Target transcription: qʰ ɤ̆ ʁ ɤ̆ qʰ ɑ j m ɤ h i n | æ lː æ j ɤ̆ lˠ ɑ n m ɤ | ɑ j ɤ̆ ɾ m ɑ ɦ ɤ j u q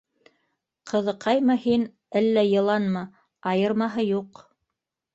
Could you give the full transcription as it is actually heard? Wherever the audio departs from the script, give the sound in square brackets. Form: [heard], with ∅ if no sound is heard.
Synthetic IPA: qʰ ɤ̆ [ð] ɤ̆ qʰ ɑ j m ɤ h i n | æ lː æ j ɤ̆ lˠ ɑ n m ɤ | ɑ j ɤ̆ ɾ m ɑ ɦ ɤ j u q